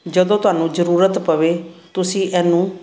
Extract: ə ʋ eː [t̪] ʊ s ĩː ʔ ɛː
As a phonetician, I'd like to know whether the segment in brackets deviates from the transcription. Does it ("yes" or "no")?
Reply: no